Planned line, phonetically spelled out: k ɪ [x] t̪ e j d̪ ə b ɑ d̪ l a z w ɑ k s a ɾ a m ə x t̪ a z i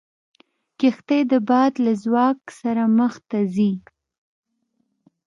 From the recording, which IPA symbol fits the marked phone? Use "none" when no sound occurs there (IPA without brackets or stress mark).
x